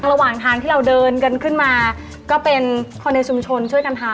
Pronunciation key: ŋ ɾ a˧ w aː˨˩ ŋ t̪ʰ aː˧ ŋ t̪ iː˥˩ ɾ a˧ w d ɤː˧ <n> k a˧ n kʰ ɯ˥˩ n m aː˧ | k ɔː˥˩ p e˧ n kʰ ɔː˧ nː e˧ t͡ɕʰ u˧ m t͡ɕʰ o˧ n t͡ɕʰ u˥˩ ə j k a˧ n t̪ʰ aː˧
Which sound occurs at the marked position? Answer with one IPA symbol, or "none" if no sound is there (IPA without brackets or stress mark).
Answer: n